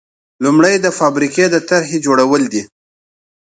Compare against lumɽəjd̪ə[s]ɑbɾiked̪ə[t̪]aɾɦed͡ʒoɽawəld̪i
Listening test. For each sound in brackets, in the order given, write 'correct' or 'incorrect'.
incorrect, correct

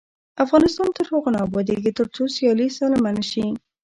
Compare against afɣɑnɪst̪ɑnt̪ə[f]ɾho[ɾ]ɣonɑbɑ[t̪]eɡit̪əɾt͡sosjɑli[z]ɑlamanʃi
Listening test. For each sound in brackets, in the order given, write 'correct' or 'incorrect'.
incorrect, incorrect, incorrect, incorrect

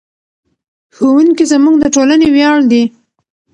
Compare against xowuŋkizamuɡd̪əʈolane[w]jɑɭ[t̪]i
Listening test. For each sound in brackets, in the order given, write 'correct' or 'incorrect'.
correct, incorrect

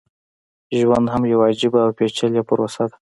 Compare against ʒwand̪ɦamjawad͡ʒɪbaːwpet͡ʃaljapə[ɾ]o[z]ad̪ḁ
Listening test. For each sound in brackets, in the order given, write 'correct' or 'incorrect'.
correct, incorrect

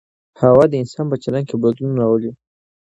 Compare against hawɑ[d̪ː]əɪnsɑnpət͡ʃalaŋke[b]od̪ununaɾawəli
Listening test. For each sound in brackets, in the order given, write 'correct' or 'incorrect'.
incorrect, correct

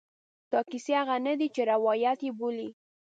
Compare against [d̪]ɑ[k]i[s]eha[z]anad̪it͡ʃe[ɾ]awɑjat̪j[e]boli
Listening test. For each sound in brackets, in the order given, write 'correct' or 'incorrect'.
incorrect, correct, correct, incorrect, correct, correct

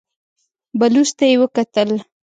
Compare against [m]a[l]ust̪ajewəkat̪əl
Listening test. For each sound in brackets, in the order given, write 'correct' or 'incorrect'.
incorrect, correct

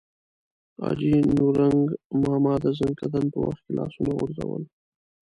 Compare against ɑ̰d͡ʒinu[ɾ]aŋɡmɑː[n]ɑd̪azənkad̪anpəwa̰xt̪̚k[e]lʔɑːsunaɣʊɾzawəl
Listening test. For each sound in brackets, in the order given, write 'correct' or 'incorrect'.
correct, incorrect, correct

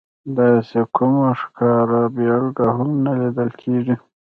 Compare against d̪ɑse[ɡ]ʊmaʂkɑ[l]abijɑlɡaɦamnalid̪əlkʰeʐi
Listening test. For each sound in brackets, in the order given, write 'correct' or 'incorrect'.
incorrect, incorrect

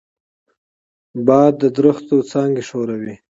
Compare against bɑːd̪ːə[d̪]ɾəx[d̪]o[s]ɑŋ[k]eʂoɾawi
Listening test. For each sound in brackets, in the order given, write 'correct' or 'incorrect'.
correct, incorrect, incorrect, incorrect

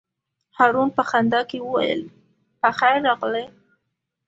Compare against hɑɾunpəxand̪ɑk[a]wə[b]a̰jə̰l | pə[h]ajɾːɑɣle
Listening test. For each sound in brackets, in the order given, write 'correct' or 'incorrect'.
incorrect, incorrect, incorrect

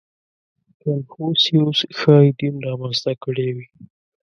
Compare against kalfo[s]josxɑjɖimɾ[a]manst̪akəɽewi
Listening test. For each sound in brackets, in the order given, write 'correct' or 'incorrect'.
correct, incorrect

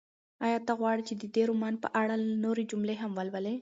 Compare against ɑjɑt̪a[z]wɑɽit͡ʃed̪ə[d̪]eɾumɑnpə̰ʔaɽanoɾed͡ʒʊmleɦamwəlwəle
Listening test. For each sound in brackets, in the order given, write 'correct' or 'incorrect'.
incorrect, correct

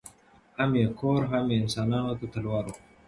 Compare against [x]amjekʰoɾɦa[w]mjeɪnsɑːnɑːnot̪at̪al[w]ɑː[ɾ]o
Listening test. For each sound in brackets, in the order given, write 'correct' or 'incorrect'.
incorrect, incorrect, correct, correct

